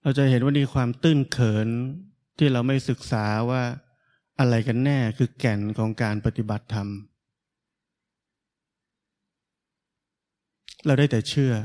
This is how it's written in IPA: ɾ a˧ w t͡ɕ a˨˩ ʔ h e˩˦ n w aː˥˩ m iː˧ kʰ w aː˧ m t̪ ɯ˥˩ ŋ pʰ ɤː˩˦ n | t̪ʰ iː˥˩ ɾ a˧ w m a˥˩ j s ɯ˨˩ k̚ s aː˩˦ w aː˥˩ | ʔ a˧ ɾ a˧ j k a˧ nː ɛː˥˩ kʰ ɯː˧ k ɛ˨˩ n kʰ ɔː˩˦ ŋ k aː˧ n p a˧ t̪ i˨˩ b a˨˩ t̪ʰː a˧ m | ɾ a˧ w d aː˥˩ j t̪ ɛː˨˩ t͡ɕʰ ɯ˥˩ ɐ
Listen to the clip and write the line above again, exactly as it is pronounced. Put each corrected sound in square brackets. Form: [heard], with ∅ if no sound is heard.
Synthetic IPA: ɾ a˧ w t͡ɕ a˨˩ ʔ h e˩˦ n w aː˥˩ m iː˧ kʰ w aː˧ m t̪ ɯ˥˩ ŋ [kʰ] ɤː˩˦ n | t̪ʰ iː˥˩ ɾ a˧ w m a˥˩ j s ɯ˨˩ k̚ s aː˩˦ w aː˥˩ | ʔ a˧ ɾ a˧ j k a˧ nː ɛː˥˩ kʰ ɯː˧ k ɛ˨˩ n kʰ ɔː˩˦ ŋ k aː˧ n p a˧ t̪ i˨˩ b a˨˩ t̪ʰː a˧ m | ɾ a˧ w d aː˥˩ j t̪ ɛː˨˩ t͡ɕʰ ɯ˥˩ ɐ